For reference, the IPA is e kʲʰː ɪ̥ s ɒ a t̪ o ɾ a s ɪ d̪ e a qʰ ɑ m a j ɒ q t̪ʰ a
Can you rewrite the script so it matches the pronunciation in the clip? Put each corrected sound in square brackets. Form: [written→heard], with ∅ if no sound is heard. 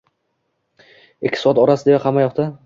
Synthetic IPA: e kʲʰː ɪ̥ s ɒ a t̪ [o→ɒ] ɾ a s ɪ d̪ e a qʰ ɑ m a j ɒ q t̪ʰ a